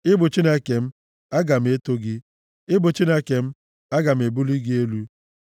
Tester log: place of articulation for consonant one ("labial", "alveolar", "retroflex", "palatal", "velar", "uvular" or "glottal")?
labial